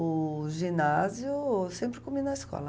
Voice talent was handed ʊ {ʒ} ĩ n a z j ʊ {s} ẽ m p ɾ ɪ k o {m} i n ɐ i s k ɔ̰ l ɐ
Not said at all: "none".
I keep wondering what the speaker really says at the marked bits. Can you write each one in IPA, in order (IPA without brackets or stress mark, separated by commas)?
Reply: ʒ, s, m